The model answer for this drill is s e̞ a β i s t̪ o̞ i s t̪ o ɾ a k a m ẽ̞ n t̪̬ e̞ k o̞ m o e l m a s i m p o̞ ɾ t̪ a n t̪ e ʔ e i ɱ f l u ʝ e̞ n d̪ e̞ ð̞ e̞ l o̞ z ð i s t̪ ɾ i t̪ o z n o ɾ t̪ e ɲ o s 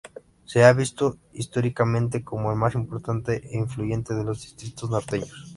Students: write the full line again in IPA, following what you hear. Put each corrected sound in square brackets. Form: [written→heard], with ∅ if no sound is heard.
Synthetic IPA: s e̞ a β i s t̪ o̞ i s t̪ o ɾ [a→i] k a m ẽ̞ n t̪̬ e̞ k o̞ m o e l m a s i m p o̞ ɾ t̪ a n t̪ e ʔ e i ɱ f l u ʝ e̞ n [d̪→t̪] e̞ ð̞ e̞ l o̞ z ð i s t̪ ɾ i t̪ o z n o ɾ t̪ e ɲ o s